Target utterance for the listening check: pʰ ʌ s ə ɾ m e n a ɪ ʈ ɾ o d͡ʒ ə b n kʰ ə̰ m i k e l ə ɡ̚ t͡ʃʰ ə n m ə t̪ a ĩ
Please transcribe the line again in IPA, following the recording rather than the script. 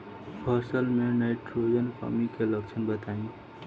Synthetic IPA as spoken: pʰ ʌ s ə l m e n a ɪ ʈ ɾ o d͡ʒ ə n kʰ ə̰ m i k e l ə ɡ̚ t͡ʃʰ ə n b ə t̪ a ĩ